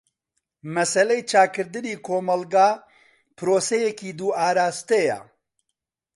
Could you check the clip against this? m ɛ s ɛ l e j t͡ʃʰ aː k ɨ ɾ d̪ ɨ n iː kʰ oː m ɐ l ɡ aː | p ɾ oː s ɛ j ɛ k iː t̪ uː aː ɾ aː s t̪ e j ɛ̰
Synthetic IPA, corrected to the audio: m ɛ s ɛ l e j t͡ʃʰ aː k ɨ ɾ d̪ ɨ n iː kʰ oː m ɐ l ɡ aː | p ɾ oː s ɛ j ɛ k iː d̪ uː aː ɾ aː s t̪ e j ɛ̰